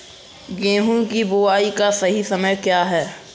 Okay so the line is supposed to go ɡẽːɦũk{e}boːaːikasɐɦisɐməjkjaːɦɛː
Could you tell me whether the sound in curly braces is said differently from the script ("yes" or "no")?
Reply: yes